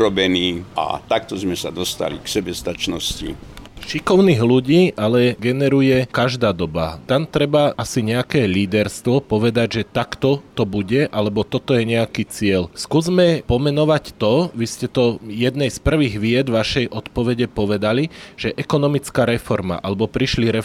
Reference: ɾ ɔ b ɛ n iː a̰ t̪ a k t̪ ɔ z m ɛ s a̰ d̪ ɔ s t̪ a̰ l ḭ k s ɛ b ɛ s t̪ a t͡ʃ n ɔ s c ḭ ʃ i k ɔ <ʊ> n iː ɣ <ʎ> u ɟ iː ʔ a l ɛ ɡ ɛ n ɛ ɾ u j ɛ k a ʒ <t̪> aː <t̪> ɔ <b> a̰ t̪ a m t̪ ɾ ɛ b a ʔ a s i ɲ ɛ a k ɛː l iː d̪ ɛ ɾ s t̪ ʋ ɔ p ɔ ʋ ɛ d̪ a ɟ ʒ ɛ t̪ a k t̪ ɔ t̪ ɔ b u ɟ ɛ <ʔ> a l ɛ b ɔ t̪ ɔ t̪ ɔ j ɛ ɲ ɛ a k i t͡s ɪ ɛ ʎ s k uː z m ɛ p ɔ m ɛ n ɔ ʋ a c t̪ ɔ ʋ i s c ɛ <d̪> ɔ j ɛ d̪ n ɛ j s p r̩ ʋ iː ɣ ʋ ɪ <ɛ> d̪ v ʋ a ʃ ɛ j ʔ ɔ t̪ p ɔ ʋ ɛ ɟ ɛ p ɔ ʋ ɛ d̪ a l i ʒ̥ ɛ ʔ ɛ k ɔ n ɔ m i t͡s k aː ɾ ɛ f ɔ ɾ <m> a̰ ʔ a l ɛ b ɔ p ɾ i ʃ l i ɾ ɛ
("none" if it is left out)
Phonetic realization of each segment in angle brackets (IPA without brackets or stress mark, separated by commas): ʊ, l, d̪, d̪, b, ʔ, t̪, ɛ, m